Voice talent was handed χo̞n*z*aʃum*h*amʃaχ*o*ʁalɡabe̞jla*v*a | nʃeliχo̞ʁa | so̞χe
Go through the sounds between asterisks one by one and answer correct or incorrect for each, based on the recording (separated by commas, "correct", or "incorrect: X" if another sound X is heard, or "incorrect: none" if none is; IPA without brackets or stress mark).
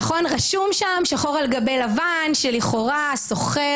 incorrect: ʁ, incorrect: ʃ, correct, correct